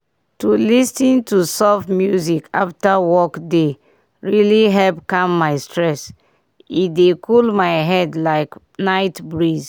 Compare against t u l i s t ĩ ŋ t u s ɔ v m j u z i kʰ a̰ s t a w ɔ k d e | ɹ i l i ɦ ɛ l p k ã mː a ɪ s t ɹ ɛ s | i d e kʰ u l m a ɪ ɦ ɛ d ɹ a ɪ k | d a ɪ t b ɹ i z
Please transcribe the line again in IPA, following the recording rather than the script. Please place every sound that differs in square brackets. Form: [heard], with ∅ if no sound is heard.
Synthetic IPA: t u l i s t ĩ [n] t u s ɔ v m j u z i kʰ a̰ [f] t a w ɔ k d e | ɹ i l i ɦ ɛ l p k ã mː a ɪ s t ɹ ɛ s | i d e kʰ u l m a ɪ ɦ ɛ d [l] a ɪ k | [n] a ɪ t b ɹ i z